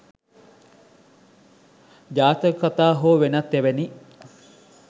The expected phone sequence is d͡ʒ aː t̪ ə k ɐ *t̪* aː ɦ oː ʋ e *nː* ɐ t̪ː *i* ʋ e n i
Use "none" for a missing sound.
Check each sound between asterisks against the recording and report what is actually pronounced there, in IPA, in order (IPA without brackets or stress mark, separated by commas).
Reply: t̪, n, e